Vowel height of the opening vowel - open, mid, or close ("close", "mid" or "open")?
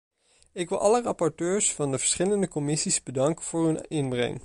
close